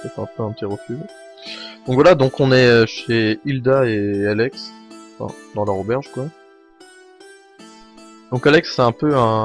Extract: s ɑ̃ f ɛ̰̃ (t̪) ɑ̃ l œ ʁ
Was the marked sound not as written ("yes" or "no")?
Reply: yes